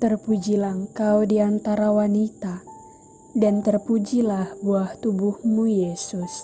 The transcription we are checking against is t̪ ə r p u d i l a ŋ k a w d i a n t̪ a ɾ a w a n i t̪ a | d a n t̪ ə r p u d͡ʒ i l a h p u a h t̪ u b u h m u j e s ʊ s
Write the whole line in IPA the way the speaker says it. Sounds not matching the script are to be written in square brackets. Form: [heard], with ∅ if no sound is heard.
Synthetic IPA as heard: t̪ ə r p u [d͡ʒ] i l a ŋ k a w d i a n t̪ a ɾ a w a n i t̪ a | d a n t̪ ə r p u d͡ʒ i l a h [b] u a h t̪ u b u h m u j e s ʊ s

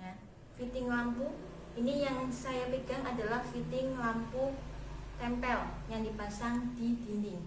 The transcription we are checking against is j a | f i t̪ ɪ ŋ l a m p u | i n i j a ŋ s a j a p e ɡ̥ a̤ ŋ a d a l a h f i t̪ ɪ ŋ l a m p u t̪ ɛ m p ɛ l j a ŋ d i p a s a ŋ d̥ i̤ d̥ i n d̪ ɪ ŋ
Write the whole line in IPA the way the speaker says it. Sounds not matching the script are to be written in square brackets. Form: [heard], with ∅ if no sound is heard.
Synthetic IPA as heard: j a | f i t̪ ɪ ŋ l a m p u | i n i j a ŋ s a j a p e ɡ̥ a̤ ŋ a d a l a h f i t̪ ɪ ŋ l a m p u t̪ ɛ m p ɛ l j a ŋ d i p a s a ŋ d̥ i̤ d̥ i n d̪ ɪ ŋ

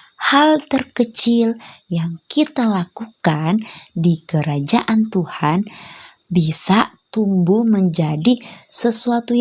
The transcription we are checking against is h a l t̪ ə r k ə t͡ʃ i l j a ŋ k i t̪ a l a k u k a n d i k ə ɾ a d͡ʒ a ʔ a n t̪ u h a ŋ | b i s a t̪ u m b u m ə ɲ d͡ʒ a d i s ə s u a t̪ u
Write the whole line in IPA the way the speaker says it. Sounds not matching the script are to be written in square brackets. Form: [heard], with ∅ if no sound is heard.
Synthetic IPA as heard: h a l t̪ ə r k ə t͡ʃ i l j a ŋ k i t̪ a l a k u k a n d i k ə ɾ a d͡ʒ a ʔ a n t̪ u h a [n] | b i s a t̪ u m b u m ə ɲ d͡ʒ a d i s ə s u a t̪ u

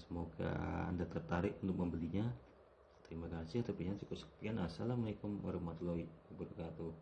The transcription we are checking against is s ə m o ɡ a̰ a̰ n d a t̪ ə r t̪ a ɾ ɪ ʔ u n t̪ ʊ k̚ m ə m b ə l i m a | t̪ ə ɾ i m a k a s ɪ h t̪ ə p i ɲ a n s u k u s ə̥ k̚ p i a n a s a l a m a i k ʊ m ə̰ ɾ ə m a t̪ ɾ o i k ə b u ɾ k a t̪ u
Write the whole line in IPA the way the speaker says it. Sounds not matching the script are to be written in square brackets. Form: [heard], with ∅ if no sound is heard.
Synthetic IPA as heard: s ə m o ɡ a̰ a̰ n d a t̪ ə r t̪ a ɾ ɪ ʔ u n t̪ ʊ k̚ m ə m b ə l i [ɲ] a | t̪ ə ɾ i m a k a s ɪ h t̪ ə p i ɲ a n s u k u s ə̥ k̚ p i a n a s a l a m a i k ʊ m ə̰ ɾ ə m a t̪ [l] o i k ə b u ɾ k a t̪ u

